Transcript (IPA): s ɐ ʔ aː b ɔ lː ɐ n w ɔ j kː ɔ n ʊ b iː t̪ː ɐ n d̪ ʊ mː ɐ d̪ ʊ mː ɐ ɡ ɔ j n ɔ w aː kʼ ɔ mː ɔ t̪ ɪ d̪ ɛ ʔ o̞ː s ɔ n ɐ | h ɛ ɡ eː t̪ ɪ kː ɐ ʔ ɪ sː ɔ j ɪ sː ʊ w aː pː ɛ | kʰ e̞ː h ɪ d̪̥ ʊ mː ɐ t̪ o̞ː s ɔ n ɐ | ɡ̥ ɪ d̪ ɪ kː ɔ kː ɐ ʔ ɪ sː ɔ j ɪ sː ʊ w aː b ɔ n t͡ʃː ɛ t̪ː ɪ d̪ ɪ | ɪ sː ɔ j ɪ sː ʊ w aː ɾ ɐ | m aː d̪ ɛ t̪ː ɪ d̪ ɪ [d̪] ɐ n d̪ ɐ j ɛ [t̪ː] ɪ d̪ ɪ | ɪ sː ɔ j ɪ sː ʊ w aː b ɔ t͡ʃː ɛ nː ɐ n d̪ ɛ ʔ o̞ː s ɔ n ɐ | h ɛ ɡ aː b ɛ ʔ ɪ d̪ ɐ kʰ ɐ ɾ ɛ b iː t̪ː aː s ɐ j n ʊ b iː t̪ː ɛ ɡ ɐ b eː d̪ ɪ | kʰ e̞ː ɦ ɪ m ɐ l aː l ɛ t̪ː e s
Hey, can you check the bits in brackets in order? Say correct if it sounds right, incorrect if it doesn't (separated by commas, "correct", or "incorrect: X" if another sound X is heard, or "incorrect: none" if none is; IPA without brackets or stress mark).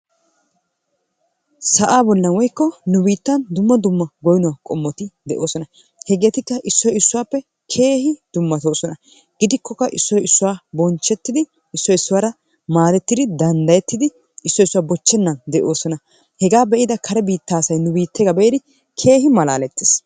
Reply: correct, correct